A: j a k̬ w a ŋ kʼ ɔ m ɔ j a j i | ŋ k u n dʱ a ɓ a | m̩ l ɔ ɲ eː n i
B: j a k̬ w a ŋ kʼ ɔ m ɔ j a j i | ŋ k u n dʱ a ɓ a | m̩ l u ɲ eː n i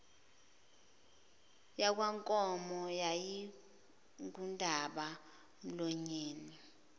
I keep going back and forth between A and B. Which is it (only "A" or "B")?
A